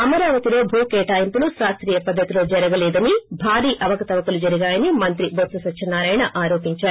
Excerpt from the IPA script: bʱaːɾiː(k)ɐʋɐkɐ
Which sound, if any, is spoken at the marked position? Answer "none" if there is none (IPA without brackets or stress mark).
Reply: ʔ